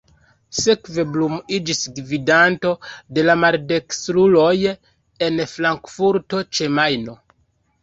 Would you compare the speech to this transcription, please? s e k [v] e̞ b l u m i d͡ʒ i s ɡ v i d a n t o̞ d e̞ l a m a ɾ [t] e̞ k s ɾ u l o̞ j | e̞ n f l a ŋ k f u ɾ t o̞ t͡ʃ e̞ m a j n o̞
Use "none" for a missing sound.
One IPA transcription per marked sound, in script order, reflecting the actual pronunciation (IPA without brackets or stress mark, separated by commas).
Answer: v, d